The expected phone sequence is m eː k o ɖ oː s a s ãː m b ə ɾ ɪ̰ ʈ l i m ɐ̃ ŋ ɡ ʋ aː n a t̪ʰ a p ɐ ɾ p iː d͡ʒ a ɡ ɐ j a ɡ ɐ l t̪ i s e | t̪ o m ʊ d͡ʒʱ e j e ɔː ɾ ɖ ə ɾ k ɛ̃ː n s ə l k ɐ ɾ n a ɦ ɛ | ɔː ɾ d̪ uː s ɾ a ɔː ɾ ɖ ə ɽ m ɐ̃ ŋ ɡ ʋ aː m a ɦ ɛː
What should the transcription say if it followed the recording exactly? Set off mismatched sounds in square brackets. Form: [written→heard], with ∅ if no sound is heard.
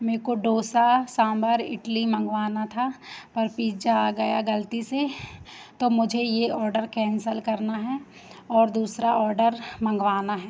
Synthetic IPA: m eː k o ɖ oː s a s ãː m b ə ɾ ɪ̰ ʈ l i m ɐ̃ ŋ ɡ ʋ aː n a t̪ʰ a p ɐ ɾ p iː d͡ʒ a ɡ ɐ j a ɡ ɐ l t̪ i s e | t̪ o m ʊ d͡ʒʱ e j e ɔː ɾ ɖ ə ɾ k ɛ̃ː n s ə l k ɐ ɾ n a ɦ ɛ | ɔː ɾ d̪ uː s ɾ a ɔː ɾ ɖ ə [ɽ→ɾ] m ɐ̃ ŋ ɡ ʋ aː [m→n] a ɦ ɛː